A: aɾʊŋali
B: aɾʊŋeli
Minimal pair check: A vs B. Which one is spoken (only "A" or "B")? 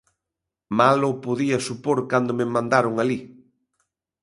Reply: A